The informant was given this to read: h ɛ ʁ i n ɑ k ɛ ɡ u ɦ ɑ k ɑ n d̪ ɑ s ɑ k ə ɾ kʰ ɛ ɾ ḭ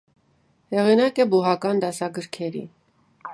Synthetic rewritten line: h ɛ ʁ i n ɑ k ɛ b u ɦ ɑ k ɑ n d̪ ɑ s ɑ ɡ ə ɾ kʰ ɛ ɾ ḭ